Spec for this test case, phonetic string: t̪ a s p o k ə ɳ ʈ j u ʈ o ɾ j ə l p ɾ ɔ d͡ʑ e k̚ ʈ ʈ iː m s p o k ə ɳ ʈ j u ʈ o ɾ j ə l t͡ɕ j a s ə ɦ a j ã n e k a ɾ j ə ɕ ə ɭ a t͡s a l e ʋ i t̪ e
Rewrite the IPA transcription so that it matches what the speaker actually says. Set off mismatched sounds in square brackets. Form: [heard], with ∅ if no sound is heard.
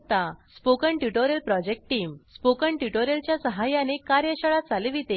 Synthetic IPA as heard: t̪ a s p o k ə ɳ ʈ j u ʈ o ɾ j ə l p ɾ ɔ d͡ʑ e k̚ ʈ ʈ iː m s p o k ə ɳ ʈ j u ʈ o ɾ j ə l t͡ɕ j a s ə ɦ a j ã n e k a ɾ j ə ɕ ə ɭ a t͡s a l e ʋ i t̪ e